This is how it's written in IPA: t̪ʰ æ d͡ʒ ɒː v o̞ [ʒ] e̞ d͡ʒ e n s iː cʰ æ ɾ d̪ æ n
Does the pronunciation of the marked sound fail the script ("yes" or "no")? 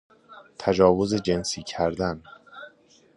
yes